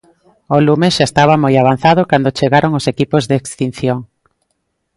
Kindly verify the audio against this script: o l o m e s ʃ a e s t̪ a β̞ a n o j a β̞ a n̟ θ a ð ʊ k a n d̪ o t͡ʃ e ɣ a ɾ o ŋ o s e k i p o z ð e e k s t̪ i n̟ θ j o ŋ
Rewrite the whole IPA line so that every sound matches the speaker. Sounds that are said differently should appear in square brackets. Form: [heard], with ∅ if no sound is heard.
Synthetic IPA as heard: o l [u] m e s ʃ a e s t̪ a β̞ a [m] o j a β̞ a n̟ θ a ð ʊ k a n d̪ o t͡ʃ e ɣ a ɾ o ŋ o s e k i p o z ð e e k s t̪ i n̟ θ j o ŋ